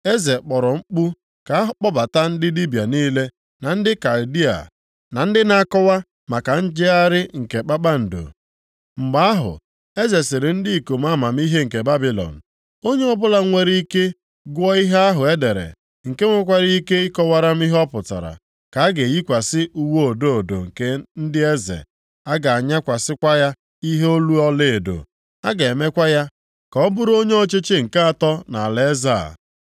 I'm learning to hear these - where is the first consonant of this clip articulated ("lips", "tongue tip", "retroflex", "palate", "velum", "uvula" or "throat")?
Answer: tongue tip